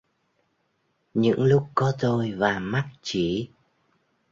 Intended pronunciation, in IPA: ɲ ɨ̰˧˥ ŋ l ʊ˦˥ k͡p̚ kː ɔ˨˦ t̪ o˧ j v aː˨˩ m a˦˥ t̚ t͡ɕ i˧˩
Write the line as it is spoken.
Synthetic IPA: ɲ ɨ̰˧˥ ŋ l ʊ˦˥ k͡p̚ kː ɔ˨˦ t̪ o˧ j v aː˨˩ m a˦˥ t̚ t͡ɕ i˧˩